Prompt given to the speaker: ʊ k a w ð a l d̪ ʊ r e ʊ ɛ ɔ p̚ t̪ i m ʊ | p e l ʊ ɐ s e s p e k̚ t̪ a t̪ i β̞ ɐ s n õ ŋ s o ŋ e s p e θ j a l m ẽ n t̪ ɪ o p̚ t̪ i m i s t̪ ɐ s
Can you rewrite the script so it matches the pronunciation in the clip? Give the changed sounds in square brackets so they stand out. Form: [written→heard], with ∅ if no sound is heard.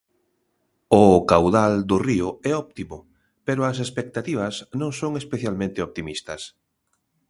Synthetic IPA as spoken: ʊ k a w ð a l d̪ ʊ r [e→i] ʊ ɛ ɔ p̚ t̪ i m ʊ | p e [l→ɾ] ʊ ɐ s e s p e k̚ t̪ a t̪ i β̞ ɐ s n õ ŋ s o ŋ e s p e θ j a l m ẽ n t̪ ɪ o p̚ t̪ i m i s t̪ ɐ s